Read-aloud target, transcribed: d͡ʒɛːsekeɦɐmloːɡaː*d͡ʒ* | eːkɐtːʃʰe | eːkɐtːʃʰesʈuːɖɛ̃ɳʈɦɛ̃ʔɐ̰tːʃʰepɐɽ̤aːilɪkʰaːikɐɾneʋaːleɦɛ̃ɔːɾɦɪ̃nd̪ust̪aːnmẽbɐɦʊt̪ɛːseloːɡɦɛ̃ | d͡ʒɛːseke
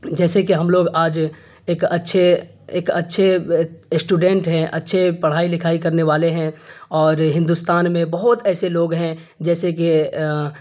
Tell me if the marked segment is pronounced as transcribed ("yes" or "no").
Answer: yes